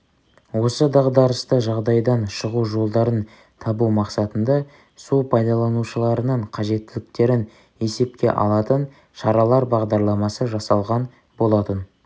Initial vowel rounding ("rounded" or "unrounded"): rounded